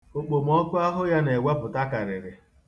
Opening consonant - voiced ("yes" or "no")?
no